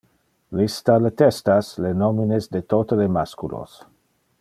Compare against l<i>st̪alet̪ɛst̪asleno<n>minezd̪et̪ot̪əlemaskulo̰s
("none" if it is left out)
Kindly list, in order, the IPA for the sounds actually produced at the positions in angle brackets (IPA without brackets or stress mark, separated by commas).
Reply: i, none